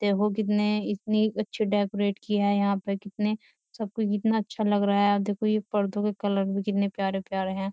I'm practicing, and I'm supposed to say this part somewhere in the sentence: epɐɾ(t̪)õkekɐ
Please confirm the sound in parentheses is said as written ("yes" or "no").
no